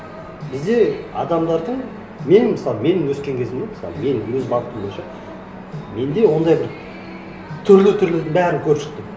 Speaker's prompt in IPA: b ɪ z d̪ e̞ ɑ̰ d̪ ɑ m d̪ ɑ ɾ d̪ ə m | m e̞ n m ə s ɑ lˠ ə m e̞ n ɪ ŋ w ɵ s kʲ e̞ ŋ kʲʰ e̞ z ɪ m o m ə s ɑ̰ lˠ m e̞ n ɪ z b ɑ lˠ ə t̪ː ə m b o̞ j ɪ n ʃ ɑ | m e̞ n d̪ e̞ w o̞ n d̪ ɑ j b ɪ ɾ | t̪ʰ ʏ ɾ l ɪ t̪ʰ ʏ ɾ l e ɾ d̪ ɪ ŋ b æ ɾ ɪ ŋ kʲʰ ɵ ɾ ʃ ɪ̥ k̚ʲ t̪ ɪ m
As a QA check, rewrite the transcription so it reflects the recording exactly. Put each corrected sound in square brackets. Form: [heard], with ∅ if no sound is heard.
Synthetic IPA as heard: b ɪ z d̪ e̞ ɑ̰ d̪ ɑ m d̪ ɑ ɾ d̪ ə [ɴ] | m e̞ n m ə s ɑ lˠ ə m e̞ n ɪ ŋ w ɵ s kʲ e̞ ŋ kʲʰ e̞ z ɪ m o m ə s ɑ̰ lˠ m e̞ n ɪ z b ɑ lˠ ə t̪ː ə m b o̞ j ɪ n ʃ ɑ | m e̞ n d̪ e̞ w o̞ n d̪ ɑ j b ɪ ɾ | t̪ʰ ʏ ɾ l ɪ t̪ʰ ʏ ɾ l e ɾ d̪ ɪ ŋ b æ ɾ ɪ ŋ kʲʰ ɵ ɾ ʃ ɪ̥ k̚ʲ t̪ ɪ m